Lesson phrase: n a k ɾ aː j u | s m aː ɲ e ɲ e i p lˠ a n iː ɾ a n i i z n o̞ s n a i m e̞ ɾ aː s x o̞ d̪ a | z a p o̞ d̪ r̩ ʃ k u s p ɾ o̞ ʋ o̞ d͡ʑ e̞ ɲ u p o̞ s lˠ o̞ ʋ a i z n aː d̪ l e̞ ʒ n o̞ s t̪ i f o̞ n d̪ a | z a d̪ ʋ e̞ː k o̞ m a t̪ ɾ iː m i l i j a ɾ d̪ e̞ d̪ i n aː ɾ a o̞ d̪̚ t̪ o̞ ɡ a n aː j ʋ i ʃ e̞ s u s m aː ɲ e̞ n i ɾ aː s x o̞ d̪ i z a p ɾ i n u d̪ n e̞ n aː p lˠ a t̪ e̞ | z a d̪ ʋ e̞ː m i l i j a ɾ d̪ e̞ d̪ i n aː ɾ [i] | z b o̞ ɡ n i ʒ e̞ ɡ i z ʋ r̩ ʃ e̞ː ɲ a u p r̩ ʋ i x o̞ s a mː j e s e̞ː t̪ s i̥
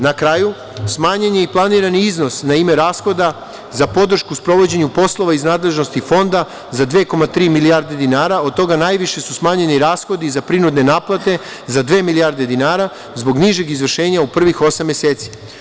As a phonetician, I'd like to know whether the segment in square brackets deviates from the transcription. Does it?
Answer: yes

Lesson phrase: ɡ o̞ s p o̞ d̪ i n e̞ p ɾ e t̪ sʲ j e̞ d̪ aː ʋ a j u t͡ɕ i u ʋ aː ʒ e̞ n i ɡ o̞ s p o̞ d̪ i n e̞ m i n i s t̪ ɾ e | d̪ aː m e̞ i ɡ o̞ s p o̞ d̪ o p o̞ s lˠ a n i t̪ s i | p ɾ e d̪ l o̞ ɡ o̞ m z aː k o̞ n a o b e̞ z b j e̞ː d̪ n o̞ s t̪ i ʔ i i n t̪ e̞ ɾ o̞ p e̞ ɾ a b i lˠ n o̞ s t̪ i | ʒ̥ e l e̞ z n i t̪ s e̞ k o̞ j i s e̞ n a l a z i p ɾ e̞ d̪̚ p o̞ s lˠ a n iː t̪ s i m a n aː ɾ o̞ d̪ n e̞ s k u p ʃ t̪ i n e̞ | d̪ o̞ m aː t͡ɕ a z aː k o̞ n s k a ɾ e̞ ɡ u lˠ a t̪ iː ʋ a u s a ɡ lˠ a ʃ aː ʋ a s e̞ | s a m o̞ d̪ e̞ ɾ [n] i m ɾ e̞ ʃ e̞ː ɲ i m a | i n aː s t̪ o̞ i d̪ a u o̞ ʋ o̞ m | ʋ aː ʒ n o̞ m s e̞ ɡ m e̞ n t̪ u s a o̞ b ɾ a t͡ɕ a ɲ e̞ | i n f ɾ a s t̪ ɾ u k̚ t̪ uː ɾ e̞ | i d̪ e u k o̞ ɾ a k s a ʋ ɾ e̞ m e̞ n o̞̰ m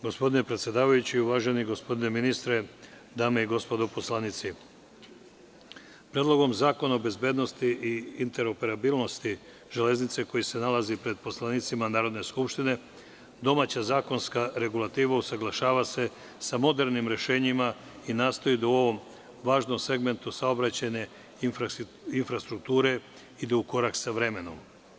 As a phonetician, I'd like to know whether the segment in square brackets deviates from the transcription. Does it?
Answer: no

